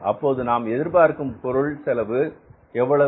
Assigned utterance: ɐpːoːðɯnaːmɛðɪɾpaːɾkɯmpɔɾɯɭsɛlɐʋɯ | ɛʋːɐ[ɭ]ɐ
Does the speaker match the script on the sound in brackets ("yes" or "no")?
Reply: yes